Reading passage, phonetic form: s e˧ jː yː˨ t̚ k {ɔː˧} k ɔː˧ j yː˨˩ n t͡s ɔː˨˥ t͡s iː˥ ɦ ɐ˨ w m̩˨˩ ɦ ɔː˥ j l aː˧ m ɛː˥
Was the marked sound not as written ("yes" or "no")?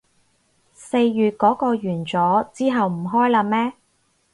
yes